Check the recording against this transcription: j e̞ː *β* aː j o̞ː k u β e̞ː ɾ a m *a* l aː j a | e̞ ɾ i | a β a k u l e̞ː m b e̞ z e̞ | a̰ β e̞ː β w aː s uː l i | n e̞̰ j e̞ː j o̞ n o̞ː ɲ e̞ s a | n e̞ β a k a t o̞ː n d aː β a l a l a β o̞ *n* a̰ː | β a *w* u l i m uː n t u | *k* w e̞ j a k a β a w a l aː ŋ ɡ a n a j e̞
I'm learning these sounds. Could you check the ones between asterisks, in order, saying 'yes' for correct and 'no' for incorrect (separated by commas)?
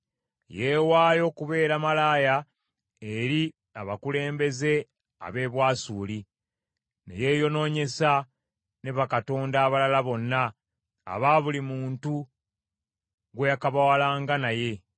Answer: no, yes, no, no, no